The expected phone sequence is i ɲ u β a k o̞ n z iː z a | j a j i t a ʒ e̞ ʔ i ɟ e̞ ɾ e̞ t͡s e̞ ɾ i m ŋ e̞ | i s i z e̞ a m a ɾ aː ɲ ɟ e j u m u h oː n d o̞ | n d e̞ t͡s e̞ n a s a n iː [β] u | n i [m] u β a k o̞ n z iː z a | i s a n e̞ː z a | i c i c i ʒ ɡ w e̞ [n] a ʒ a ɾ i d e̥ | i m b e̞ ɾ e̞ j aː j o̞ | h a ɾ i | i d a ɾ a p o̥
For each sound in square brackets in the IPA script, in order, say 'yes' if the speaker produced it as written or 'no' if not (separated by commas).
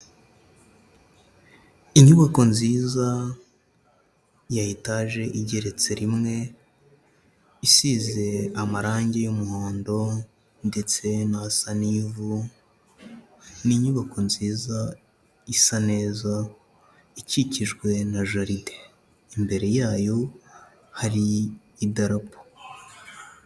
no, no, yes